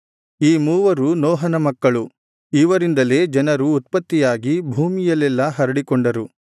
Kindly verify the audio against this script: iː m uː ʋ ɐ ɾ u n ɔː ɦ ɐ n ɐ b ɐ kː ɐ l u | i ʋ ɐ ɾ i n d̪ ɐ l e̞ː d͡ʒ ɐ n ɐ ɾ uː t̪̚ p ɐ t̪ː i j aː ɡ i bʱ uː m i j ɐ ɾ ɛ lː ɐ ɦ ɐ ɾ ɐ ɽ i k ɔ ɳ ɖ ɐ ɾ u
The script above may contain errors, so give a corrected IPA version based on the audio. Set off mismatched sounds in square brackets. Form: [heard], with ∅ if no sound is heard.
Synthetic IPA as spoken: iː m uː ʋ ɐ ɾ u n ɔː ɦ ɐ n ɐ [m] ɐ kː ɐ [ɭ] u | i ʋ ɐ ɾ i n d̪ ɐ l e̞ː d͡ʒ ɐ n ɐ ɾ uː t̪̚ p ɐ t̪ː i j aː ɡ i bʱ uː m i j ɐ [l] ɛ lː ɐ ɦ ɐ ɾ ɐ ɽ i k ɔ ɳ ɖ ɐ ɾ u